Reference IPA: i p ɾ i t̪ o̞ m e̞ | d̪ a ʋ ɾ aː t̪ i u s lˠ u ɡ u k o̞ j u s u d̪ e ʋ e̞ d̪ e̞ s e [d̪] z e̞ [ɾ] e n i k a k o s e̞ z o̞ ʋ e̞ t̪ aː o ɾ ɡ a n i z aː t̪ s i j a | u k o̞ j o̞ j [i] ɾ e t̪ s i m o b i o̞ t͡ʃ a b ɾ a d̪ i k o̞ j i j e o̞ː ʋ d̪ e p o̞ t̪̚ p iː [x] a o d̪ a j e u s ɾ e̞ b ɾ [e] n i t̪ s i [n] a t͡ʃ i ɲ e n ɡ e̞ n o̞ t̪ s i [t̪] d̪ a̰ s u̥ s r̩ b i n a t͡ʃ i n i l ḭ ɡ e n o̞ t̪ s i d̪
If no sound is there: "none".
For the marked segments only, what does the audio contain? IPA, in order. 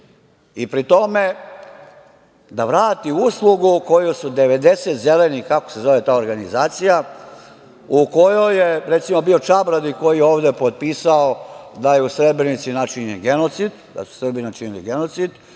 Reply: t̪, l, e, s, e, n, d̪

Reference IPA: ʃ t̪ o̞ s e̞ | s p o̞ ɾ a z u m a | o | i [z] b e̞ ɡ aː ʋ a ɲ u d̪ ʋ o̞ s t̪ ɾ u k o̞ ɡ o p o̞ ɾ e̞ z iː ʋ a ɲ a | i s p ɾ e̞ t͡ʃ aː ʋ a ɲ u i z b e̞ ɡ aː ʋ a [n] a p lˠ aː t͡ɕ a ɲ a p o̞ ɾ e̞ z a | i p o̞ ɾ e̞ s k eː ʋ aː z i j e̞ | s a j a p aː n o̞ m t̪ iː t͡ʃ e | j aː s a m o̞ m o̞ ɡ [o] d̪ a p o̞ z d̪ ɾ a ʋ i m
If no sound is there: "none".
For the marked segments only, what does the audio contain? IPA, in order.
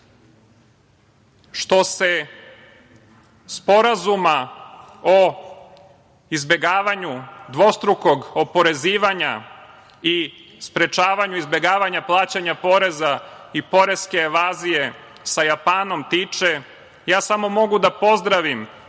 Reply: z, ɲ, u

